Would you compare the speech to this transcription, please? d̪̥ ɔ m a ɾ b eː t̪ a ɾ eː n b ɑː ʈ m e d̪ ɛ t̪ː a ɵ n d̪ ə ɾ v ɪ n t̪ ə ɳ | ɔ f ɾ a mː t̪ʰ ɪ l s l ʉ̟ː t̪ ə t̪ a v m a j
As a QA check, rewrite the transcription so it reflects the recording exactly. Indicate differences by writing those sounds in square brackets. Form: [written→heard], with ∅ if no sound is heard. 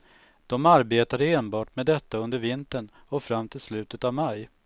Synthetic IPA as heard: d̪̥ ɔ m a ɾ b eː t̪ a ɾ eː n b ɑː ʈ m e d̪ ɛ t̪ː a ɵ n d̪ ə ɾ v ɪ n t̪ ə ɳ | ɔ f ɾ a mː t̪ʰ ɪ l s l ʉ̟ː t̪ ə t̪ a v m a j